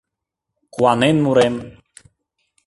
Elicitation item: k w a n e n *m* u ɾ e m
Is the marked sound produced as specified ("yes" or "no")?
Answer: yes